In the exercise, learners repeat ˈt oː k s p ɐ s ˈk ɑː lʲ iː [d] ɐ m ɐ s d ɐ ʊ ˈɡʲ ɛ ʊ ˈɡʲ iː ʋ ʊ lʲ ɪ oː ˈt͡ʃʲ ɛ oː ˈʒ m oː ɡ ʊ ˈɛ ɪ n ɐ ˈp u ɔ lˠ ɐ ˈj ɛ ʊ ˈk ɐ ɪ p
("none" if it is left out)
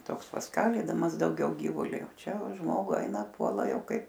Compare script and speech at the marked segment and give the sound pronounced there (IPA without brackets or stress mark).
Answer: d